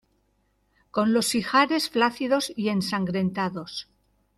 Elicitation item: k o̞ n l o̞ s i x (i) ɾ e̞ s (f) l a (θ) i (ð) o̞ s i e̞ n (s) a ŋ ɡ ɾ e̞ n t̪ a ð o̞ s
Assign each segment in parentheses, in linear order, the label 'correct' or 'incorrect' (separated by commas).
incorrect, correct, correct, correct, correct